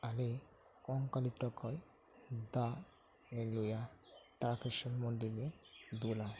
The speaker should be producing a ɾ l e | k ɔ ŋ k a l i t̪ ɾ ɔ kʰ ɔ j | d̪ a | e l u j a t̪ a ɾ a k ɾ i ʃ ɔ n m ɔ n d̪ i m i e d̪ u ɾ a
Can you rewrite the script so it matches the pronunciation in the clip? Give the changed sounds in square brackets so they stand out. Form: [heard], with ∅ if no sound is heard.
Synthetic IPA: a [∅] l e | k ɔ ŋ k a l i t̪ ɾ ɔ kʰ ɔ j | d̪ a | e l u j a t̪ a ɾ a k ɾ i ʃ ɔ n m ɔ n d̪ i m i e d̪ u [l] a